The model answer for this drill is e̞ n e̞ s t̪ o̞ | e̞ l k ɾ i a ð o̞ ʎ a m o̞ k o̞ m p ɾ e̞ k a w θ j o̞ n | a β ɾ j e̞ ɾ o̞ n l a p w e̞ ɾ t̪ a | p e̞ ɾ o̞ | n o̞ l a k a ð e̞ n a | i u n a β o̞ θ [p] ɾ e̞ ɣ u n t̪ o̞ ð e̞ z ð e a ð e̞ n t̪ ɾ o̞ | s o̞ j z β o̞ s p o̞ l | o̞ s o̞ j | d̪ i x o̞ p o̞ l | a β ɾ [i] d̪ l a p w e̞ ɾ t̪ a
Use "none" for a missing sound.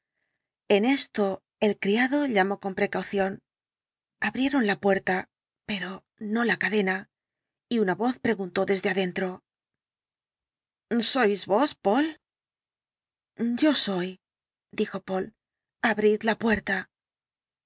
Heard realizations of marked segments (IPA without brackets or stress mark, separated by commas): p, i